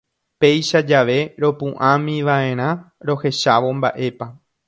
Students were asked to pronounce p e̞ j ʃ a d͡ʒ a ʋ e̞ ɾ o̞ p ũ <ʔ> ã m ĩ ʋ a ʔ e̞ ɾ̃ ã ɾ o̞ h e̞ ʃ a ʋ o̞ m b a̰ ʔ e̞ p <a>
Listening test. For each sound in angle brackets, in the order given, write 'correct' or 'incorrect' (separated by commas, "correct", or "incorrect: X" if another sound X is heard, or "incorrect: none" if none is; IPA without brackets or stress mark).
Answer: correct, correct